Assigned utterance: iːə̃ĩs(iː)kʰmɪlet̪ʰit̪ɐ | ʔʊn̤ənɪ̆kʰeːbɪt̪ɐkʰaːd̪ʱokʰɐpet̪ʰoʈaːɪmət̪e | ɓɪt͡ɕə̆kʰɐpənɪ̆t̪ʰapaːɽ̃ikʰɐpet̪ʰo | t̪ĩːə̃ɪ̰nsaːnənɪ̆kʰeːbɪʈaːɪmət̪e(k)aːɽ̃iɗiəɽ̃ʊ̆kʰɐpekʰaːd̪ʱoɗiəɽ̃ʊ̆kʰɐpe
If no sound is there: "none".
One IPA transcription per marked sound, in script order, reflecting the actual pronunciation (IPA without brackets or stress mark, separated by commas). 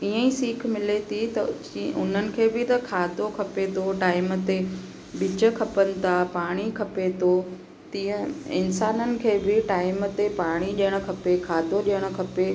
iː, p